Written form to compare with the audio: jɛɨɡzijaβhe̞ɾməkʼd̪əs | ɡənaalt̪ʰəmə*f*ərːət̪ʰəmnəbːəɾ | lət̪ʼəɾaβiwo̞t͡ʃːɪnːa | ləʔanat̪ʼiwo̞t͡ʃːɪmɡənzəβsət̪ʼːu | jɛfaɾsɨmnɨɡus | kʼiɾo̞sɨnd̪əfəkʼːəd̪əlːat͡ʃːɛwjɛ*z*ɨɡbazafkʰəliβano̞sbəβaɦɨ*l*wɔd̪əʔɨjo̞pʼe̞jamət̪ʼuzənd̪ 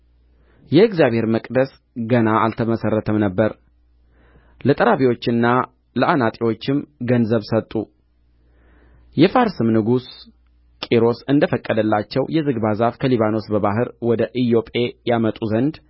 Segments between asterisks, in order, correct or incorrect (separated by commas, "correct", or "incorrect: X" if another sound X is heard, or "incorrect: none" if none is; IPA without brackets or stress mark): incorrect: s, correct, incorrect: ɾ